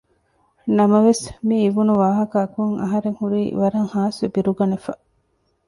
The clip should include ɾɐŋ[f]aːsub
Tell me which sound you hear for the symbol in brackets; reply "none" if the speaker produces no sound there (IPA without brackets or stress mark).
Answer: h